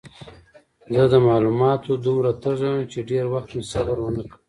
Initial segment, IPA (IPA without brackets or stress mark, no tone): z